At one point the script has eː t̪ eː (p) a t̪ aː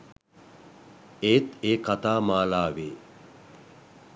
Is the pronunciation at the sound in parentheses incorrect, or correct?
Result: incorrect: k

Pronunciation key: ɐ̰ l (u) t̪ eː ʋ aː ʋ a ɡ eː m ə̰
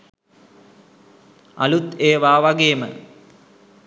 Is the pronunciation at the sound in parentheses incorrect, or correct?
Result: correct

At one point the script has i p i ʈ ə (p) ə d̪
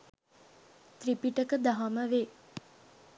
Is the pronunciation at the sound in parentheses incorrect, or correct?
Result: incorrect: k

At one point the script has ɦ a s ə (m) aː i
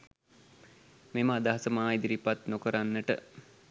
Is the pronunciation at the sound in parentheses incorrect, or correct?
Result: correct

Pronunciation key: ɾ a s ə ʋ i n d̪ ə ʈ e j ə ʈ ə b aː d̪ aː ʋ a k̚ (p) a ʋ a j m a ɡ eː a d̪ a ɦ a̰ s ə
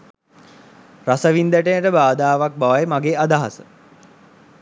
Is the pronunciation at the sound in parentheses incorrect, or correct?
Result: incorrect: b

